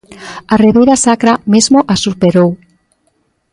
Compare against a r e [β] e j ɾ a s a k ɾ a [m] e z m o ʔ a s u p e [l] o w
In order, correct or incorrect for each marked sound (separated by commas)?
correct, correct, incorrect